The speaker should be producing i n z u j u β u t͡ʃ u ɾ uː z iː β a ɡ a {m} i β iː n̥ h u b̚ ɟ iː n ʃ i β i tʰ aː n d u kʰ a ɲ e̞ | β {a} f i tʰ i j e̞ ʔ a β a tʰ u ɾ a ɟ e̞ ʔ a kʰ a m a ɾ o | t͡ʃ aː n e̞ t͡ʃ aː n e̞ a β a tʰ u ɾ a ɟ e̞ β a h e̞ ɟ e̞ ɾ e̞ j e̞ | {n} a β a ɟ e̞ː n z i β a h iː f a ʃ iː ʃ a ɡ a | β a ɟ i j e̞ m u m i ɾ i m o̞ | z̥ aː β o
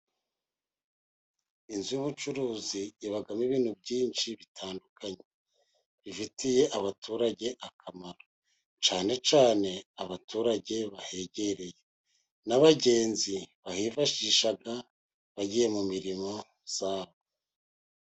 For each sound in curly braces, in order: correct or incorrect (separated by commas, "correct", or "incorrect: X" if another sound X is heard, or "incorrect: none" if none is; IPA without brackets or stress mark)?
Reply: correct, incorrect: i, correct